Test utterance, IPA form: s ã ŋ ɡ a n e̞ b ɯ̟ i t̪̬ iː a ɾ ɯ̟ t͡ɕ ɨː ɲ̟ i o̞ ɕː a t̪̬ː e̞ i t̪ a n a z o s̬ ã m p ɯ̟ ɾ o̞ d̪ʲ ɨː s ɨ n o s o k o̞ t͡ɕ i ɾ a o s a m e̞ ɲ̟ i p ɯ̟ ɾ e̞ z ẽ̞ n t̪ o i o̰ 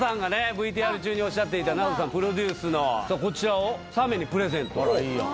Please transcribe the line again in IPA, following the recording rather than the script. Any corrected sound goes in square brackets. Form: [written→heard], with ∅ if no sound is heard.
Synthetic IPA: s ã ŋ ɡ a n e̞ b ɯ̟ i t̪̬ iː a ɾ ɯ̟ t͡ɕ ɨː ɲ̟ i o̞ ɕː a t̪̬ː e̞ i t̪ a n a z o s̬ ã m p ɯ̟ ɾ o̞ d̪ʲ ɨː s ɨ n o s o k o̞ t͡ɕ i ɾ a o s a m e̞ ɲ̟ i p ɯ̟ ɾ e̞ z ẽ̞ n t̪ o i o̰

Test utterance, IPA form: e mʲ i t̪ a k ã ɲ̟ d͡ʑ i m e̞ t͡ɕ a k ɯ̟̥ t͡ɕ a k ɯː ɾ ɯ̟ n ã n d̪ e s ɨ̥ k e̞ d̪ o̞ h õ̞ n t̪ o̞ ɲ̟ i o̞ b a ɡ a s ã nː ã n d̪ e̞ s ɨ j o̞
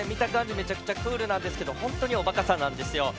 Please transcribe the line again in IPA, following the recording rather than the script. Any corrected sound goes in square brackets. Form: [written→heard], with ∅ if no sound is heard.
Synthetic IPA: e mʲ i t̪ a k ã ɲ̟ d͡ʑ i m e̞ t͡ɕ a k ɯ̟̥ t͡ɕ a k ɯː ɾ ɯ̟ n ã n d̪ e s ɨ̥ k e̞ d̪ o̞ h õ̞ n t̪ o̞ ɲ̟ i o̞ b a [ɡ→k] a s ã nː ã n d̪ e̞ s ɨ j o̞

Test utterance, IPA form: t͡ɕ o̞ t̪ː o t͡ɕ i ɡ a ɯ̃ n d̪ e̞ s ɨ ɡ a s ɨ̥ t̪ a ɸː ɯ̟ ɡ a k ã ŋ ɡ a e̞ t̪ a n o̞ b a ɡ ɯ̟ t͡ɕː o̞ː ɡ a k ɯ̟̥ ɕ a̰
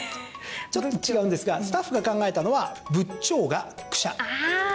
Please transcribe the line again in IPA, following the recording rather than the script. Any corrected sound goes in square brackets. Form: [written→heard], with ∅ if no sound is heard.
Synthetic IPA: t͡ɕ o̞ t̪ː o t͡ɕ i ɡ a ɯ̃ n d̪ e̞ s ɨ ɡ a s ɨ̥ t̪ a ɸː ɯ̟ ɡ a k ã ŋ ɡ a e̞ t̪ a n o̞ [b→β] a [ɡ→b] ɯ̟ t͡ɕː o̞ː ɡ a k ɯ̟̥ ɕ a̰

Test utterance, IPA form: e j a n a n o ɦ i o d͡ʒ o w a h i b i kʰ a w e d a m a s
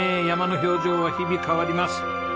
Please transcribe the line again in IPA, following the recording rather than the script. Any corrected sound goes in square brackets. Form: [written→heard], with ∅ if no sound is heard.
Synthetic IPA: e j a [n→m] a n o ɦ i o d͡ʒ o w a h i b i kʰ a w [e→a] d [a→i] m a s

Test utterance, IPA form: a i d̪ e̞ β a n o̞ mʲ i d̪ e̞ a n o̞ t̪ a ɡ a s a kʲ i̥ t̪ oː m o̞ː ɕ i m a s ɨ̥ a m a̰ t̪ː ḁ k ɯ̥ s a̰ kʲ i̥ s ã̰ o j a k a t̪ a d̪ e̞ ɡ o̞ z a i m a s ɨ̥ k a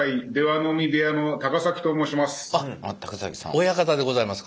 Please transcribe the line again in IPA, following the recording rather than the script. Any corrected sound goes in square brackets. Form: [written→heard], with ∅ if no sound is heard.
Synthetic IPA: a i d̪ e̞ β a n o̞ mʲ i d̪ e̞ a n o̞ t̪ a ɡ a s a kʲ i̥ t̪ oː m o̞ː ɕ i m a s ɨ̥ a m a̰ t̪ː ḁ k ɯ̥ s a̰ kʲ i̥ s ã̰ o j a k a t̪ a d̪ e̞ ɡ o̞ z a i m a s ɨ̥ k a

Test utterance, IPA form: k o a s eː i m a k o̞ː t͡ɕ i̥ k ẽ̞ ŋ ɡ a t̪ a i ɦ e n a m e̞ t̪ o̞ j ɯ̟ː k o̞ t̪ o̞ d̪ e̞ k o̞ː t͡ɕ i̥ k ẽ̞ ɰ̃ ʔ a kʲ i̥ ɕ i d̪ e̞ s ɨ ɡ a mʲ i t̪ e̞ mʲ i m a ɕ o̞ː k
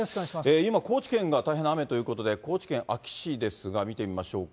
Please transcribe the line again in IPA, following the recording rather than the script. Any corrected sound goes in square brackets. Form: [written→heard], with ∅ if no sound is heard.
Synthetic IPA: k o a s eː i m a k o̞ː t͡ɕ i̥ k ẽ̞ ŋ ɡ a t̪ a i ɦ e n a m e̞ t̪ o̞ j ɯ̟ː k o̞ t̪ o̞ d̪ e̞ k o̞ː t͡ɕ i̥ k ẽ̞ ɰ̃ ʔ a kʲ i̥ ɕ i d̪ e̞ s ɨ ɡ a mʲ i t̪ e̞ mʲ i m a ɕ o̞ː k

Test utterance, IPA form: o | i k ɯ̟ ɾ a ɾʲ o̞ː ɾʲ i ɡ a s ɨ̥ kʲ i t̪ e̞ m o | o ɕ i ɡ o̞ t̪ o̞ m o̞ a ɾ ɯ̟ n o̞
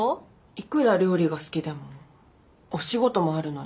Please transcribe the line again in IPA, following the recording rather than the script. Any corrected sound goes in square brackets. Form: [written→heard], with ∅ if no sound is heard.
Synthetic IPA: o | i k ɯ̟ ɾ a ɾʲ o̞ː ɾʲ i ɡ a s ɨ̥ kʲ i [t̪→d̪] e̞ m o | o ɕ i ɡ o̞ t̪ o̞ m o̞ a ɾ ɯ̟ n o̞

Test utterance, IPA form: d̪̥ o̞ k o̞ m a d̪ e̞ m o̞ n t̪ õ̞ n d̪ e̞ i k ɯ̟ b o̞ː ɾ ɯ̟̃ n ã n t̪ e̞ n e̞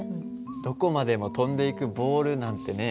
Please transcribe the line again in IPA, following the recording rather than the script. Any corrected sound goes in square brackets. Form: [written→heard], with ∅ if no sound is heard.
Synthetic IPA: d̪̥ o̞ k o̞ m a d̪ e̞ m o̞ [n→∅] t̪ õ̞ n d̪ e̞ i k ɯ̟ b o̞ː ɾ [ɯ̟̃→ɯ̟] n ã n t̪ e̞ n e̞

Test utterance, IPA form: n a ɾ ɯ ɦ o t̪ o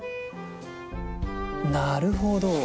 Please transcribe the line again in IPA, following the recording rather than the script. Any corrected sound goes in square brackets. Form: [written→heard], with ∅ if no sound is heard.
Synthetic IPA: n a ɾ ɯ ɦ o [t̪→d̪] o

